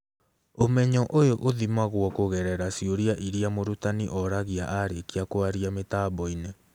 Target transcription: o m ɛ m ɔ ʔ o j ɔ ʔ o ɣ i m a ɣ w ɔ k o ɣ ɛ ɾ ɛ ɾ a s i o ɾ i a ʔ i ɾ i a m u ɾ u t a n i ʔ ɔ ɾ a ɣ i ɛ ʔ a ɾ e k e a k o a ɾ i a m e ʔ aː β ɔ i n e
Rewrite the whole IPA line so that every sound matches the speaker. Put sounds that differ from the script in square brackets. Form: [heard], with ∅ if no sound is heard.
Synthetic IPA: o m ɛ [ɲ] ɔ ʔ o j [o] ʔ o [ð] i m a ɣ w ɔ k o ɣ ɛ ɾ ɛ ɾ a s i o ɾ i a ʔ i ɾ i a m [o] ɾ u t a n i ʔ ɔ ɾ a ɣ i [a] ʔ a ɾ e k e a k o a ɾ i a m e [t] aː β ɔ i n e